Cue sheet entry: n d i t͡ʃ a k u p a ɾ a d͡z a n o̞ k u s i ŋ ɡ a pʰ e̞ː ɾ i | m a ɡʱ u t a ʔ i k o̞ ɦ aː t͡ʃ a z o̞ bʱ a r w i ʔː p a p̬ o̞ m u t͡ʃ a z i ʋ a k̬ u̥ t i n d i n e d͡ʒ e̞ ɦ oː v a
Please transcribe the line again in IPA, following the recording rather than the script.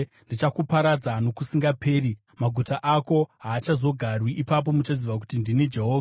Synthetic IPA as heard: n d i t͡ʃ a k u p a ɾ a d͡z a n o̞ k u s i ŋ ɡ a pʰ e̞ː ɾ i | m a ɡʱ u t a ʔ a k o̞ ɦ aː t͡ʃ a z o̞ ɡʱ a r w i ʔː p a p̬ o̞ m u t͡ʃ a z i ʋ a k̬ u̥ t i n d i n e d͡ʒ e̞ ɦ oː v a